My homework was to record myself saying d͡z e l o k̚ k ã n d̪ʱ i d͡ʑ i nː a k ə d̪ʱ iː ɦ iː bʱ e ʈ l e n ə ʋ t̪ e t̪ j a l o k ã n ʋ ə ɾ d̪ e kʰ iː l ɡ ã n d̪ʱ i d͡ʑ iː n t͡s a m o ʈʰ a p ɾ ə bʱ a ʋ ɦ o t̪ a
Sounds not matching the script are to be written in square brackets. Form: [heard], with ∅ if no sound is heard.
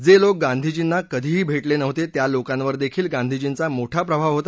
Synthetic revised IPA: d͡z e l o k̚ [ɡ] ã n d̪ʱ i d͡ʑ i nː a k ə d̪ʱ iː ɦ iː bʱ e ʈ l e n ə ʋ t̪ e t̪ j a l o k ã n ʋ ə ɾ d̪ e kʰ iː l ɡ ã n d̪ʱ i d͡ʑ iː n t͡s a m o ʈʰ a p ɾ ə bʱ a ʋ ɦ o t̪ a